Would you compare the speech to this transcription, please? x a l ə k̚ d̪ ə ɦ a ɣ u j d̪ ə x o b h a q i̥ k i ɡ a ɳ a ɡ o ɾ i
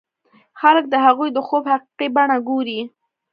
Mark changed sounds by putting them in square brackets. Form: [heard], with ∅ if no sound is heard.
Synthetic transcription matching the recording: x a l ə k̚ d̪ ə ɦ a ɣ u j d̪ ə x o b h a q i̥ [q] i [b] a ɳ a ɡ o ɾ i